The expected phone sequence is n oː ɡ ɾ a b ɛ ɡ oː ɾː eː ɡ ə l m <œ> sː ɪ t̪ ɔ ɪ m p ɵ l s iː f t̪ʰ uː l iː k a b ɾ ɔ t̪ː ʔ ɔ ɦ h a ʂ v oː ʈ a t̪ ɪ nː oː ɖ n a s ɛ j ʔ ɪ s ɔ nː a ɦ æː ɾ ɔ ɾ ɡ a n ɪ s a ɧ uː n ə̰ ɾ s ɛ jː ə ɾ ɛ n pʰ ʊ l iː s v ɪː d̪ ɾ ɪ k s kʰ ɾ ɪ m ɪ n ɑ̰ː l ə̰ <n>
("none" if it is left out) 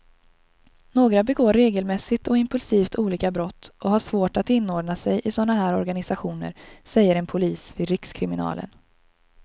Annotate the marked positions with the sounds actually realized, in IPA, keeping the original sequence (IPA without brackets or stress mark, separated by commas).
ɛ, n